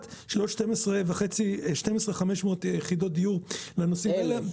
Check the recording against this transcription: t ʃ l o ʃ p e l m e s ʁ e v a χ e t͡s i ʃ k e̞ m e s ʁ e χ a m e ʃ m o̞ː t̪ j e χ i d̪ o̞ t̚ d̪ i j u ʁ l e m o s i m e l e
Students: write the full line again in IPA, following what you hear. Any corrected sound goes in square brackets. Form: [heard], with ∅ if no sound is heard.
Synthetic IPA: t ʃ l o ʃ [t] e [∅] m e s ʁ e v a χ e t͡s i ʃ [t] e̞ m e s ʁ e χ a m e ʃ m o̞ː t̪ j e χ i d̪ o̞ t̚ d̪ i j u ʁ l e [n] o s i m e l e